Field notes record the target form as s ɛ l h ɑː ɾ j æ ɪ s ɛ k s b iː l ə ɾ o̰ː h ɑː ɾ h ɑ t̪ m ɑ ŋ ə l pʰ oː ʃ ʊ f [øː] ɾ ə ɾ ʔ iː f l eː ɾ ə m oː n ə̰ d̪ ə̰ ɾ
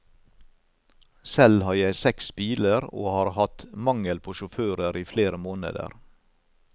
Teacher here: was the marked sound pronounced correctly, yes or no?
yes